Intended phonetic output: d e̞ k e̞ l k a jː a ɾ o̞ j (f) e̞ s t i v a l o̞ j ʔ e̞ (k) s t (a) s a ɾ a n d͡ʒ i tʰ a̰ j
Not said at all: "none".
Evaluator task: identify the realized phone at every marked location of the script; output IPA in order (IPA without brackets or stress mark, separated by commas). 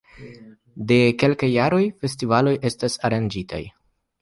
f, none, a